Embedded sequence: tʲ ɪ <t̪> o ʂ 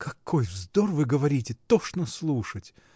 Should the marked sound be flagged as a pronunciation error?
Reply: no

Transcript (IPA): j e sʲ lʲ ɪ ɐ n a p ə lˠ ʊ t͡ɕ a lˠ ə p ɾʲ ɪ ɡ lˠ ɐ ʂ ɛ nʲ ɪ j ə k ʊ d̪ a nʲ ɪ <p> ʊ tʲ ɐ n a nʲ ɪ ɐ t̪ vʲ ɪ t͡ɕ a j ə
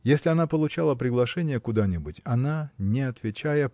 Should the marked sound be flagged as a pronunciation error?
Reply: yes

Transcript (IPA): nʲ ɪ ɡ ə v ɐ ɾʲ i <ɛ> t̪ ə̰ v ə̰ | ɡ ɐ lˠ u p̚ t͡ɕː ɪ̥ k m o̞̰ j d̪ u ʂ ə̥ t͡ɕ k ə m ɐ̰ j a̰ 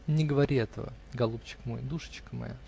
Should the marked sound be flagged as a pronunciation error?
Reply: no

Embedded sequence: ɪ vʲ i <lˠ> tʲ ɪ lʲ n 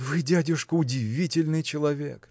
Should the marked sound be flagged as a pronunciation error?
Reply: yes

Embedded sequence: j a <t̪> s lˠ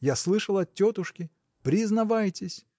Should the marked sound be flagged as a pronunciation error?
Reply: yes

